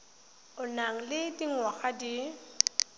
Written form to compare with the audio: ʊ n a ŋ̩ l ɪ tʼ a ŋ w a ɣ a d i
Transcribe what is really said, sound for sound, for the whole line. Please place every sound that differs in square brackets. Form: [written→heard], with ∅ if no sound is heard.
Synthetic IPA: ʊ n a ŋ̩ l ɪ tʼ [a→i] ŋ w a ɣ a d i

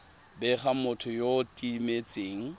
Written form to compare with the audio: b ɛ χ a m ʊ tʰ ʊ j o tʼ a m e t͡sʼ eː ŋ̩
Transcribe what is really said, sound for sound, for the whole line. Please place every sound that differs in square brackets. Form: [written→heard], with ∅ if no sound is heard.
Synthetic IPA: b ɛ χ a m ʊ tʰ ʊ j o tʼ [a→i] m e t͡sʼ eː ŋ̩

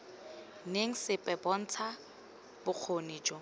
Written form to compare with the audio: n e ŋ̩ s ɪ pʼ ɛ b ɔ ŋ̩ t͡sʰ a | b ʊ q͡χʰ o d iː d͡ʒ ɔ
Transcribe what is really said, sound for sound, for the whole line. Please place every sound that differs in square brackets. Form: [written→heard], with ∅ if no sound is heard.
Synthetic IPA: n e ŋ̩ s ɪ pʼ ɛ b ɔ [ŋ̩→n̩] t͡sʰ a | b ʊ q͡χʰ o [d→n] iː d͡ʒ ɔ

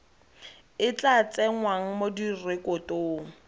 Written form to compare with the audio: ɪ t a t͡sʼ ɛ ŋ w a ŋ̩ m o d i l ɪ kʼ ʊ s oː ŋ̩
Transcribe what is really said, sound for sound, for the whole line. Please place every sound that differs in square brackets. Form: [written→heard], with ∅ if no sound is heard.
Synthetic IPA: ɪ [t→t͡ɬ] a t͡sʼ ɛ ŋ w a ŋ̩ m o d i [l→r] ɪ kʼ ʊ [s→t] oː ŋ̩

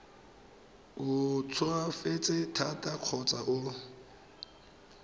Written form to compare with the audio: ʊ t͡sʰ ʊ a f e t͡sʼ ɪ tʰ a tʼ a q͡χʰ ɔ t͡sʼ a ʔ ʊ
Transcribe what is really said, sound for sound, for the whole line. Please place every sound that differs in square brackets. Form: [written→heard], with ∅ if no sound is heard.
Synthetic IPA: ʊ t͡sʰ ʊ a f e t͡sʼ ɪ tʰ a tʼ a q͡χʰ ɔ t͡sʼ a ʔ ʊ

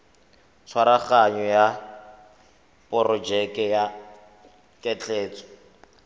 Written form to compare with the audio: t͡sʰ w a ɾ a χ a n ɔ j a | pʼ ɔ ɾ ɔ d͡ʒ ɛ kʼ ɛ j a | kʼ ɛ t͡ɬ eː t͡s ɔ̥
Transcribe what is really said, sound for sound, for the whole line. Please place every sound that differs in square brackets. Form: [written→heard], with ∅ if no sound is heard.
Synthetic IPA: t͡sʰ w a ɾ a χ a [n→ɲ] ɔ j a | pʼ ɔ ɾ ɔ d͡ʒ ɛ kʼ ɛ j a | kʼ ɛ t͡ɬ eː t͡s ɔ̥

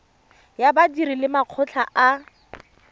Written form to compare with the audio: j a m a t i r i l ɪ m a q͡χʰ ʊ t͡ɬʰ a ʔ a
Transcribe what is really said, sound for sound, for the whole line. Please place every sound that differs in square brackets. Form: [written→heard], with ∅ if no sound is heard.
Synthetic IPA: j a [m→b] a [t→d] i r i l ɪ m a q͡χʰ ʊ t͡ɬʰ a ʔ a

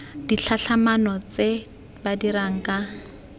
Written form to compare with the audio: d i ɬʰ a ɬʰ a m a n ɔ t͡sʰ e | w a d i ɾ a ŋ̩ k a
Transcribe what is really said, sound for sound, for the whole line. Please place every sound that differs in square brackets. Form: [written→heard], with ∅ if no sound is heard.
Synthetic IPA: d i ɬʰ a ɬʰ a m a n ɔ [t͡sʰ→t͡s] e | [w→b] a d i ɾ a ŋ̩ k a

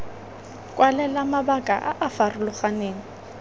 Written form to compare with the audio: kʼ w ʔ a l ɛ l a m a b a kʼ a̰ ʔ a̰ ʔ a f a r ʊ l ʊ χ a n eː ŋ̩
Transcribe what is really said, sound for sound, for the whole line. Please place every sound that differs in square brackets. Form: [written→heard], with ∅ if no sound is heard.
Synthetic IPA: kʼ w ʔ a l ɛ l a m a b a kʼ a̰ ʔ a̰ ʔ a f a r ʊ l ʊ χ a n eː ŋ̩

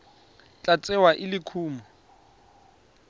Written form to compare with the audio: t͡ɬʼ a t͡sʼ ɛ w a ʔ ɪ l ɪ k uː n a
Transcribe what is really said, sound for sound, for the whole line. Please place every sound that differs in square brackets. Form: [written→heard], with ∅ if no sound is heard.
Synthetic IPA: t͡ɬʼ a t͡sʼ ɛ w a ʔ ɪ l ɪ [k→kʰ] uː [n→m] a

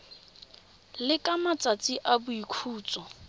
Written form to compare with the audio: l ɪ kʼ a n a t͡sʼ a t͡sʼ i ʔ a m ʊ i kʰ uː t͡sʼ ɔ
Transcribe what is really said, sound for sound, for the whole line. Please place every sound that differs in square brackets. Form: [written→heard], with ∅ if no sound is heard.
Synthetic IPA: l ɪ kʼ a [n→m] a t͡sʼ a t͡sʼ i ʔ a [m→b] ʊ i kʰ uː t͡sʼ ɔ

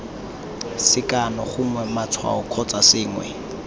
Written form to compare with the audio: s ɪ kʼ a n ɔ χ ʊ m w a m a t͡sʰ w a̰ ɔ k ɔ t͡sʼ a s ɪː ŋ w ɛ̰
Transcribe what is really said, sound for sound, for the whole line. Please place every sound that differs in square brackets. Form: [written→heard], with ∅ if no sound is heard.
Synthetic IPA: s ɪ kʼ a n ɔ χ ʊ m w [a→ɛ] m a t͡sʰ w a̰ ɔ [k→kʰ] ɔ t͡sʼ a s ɪː ŋ w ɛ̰

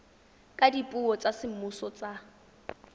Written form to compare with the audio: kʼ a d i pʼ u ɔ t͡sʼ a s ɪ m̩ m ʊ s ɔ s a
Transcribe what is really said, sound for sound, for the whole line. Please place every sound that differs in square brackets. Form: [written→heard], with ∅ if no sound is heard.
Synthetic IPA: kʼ a d i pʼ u ɔ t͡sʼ a s ɪ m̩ m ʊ s ɔ [s→t͡s] a

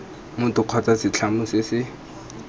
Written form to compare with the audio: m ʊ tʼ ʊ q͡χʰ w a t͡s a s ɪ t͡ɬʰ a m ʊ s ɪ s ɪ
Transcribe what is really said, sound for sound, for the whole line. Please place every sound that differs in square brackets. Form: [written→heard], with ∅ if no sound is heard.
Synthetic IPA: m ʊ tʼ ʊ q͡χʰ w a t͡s a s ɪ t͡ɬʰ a m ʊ s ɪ s ɪ

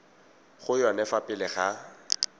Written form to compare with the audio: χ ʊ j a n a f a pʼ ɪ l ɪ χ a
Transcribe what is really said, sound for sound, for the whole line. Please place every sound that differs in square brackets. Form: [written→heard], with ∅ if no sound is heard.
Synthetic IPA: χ ʊ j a n [a→ɛ] f a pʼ ɪ l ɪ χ a

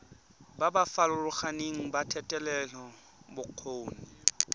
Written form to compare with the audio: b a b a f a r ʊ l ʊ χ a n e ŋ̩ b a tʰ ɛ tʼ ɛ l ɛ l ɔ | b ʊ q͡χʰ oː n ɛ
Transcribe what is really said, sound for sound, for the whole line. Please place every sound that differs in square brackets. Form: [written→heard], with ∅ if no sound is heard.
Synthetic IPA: b a b a f a [r→l] ʊ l ʊ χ a n e ŋ̩ b a tʰ ɛ tʼ ɛ l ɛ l ɔ | b ʊ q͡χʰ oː n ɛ

